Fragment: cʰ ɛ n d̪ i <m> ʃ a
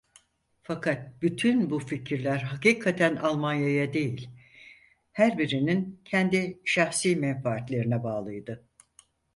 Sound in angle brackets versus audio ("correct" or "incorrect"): incorrect